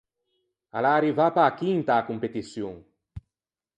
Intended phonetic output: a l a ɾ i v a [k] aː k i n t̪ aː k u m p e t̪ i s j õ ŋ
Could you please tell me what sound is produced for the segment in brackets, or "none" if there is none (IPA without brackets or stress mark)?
p